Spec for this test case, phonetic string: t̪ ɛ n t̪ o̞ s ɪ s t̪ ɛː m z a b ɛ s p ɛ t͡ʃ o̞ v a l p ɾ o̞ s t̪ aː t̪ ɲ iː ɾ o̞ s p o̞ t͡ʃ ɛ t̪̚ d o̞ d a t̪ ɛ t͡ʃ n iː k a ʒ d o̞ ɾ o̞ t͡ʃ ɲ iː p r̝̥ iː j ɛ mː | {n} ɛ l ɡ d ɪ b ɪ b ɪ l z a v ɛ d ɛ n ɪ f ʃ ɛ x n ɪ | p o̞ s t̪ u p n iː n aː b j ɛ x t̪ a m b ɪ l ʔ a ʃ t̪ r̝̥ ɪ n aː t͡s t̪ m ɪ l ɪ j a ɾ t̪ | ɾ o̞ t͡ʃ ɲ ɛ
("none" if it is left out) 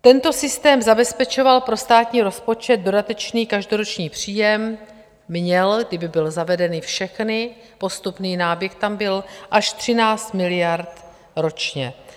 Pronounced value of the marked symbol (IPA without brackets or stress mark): ɲ